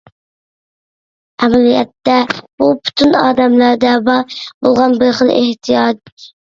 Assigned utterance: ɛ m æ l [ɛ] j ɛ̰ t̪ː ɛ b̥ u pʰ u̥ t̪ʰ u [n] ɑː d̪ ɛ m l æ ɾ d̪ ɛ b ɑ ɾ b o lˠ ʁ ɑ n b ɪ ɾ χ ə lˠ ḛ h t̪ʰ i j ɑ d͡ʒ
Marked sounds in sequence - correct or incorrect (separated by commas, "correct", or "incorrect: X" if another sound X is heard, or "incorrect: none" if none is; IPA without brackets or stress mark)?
incorrect: i, correct